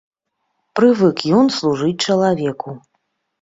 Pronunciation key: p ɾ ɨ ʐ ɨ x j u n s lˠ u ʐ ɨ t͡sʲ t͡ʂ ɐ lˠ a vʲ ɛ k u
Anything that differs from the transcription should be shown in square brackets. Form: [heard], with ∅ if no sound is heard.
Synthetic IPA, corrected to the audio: p ɾ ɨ [v] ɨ [k] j [ɔ] n s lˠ u ʐ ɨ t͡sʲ t͡ʂ ɐ lˠ a vʲ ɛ k u